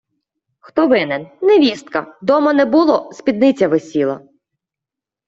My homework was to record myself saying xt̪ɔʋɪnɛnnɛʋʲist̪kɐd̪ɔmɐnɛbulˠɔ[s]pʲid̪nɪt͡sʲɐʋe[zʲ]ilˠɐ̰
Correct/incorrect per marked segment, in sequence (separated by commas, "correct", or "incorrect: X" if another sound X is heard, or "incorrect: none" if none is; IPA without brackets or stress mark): correct, incorrect: sʲ